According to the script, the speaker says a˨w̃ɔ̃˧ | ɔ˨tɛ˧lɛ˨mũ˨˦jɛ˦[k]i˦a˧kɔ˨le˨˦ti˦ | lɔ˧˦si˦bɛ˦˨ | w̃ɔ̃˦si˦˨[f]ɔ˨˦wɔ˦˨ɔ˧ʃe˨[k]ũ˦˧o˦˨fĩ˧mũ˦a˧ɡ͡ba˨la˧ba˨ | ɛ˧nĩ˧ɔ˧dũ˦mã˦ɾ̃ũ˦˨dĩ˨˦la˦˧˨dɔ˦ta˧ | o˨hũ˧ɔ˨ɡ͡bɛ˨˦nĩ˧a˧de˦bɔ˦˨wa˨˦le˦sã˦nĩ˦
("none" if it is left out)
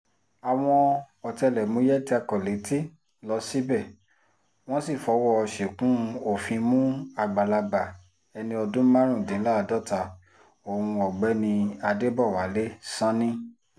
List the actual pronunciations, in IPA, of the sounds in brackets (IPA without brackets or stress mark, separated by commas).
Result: t, f, k